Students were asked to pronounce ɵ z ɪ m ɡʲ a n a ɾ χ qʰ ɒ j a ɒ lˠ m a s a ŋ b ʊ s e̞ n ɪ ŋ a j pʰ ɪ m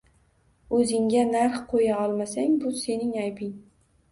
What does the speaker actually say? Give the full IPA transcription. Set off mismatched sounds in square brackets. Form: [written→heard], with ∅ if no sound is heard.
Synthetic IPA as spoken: ɵ z ɪ [m→ŋ] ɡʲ a n a ɾ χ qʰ [ɒ→o] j a ɒ lˠ m a s a ŋ b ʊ s e̞ n ɪ ŋ a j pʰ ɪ [m→ŋ]